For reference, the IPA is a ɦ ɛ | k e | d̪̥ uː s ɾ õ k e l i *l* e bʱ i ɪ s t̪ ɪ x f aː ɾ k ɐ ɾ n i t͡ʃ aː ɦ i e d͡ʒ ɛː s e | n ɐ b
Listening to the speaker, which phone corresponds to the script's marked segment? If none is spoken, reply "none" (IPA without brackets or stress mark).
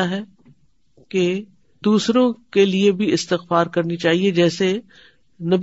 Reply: none